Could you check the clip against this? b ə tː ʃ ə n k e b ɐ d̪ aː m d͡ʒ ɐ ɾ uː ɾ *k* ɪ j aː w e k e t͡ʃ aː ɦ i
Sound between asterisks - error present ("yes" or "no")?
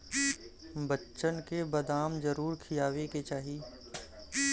yes